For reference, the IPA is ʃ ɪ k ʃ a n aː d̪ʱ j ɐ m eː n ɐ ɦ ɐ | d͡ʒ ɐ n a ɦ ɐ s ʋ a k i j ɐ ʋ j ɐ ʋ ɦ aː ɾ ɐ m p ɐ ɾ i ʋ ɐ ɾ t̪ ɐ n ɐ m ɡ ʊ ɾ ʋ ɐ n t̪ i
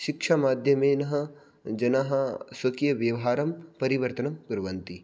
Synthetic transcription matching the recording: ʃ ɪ k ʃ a m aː d̪ʱ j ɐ m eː n ɐ ɦ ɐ | d͡ʒ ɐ n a ɦ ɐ s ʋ ɐ k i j ɐ ʋ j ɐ ʋ ɦ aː ɾ ɐ m p ɐ ɾ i ʋ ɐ ɾ t̪ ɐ n ɐ m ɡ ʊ ɾ ʋ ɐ n t̪ i